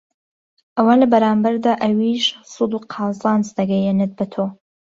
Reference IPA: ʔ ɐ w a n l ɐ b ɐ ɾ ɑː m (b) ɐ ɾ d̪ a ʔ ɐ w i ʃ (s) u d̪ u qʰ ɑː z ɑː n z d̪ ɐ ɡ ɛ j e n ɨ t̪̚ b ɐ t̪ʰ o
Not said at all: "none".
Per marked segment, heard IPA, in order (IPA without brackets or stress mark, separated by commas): b, s